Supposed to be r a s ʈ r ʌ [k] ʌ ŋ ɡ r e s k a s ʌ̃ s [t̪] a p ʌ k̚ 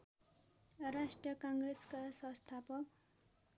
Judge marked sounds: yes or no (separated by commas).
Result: yes, no